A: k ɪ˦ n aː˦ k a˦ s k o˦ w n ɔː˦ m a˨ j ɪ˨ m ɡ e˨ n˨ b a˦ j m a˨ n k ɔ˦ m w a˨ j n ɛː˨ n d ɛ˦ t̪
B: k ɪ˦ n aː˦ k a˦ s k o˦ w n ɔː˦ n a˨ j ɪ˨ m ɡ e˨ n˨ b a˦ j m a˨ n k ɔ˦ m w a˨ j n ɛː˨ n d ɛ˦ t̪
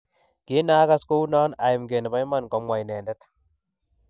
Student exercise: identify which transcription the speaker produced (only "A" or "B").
B